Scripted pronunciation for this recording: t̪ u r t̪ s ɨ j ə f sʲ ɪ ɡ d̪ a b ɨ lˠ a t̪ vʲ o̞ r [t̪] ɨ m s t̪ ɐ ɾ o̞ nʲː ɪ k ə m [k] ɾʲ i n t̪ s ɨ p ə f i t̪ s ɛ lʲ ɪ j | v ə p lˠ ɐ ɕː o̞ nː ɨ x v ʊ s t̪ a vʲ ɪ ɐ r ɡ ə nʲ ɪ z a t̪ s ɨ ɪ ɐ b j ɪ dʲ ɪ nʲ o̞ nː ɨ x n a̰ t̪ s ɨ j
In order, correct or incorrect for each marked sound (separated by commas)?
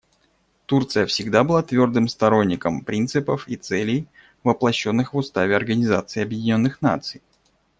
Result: incorrect, incorrect